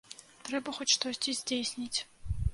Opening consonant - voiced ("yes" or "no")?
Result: no